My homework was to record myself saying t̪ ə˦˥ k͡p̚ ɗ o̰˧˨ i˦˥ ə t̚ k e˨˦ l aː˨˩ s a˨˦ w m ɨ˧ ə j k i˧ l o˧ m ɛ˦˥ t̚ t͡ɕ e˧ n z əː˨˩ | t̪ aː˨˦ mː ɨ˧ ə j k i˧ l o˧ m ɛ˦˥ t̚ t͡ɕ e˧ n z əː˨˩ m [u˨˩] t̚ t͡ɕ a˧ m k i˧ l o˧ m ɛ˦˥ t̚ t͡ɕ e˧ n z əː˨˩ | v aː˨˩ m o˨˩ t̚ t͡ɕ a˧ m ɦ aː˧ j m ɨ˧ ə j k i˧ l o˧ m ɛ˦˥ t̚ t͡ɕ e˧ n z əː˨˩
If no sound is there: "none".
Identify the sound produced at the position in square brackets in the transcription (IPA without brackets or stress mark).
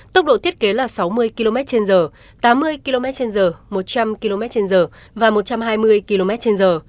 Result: o˨˩